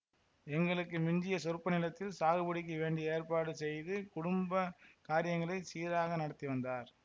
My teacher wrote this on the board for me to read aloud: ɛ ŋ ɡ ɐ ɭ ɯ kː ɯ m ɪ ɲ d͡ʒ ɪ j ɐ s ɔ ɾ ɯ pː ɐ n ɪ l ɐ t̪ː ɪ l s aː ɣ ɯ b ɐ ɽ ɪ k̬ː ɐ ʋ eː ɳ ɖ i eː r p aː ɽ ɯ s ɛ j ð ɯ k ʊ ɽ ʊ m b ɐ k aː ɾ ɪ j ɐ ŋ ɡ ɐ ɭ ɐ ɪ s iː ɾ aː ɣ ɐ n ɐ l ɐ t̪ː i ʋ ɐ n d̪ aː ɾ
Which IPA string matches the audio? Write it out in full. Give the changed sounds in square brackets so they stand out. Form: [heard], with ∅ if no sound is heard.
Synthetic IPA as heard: ɛ ŋ ɡ ɐ ɭ ɯ kː ɯ m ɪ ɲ d͡ʒ ɪ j ɐ s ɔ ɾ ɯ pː ɐ n ɪ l ɐ t̪ː ɪ l s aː ɣ ɯ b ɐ ɽ ɪ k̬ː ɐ ʋ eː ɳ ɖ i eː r p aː ɽ ɯ s ɛ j ð ɯ k ʊ ɽ ʊ m b ɐ k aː ɾ ɪ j ɐ ŋ ɡ ɐ ɭ ɐ ɪ s iː ɾ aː ɣ ɐ n ɐ [ɽ] ɐ t̪ː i ʋ ɐ n d̪ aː ɾ